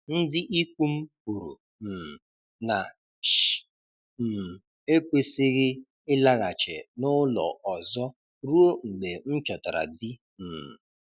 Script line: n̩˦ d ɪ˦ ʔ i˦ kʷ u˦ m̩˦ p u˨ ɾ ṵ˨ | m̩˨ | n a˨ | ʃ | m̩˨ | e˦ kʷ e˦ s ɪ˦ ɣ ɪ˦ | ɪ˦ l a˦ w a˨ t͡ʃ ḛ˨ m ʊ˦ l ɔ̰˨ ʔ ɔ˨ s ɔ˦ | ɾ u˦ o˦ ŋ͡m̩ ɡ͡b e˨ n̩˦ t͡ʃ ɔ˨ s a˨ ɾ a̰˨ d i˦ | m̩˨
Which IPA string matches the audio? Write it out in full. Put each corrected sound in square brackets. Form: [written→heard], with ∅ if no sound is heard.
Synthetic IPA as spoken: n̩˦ d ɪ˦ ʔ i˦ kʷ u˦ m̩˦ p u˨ ɾ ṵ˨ | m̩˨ | n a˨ | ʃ | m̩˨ | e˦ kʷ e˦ s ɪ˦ ɣ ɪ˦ | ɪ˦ l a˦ [w→ɣ] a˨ t͡ʃ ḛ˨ [m→n] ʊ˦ l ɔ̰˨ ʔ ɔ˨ [s→z] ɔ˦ | ɾ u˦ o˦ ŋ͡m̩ ɡ͡b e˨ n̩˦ t͡ʃ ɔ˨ [s→t] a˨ ɾ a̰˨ d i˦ | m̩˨